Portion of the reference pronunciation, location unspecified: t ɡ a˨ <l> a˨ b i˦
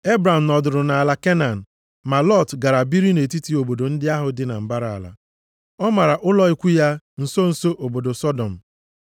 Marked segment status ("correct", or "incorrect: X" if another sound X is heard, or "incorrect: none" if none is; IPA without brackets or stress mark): incorrect: ɾ